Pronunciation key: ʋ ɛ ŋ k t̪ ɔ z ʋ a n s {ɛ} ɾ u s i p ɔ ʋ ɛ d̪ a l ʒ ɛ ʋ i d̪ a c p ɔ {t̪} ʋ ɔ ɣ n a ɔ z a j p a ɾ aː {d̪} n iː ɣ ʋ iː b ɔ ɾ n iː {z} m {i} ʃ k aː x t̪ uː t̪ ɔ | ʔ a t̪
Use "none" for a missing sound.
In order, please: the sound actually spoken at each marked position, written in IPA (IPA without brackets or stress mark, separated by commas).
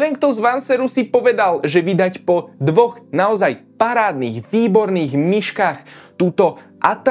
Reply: ɛ, d̪, d̪, ɣ, i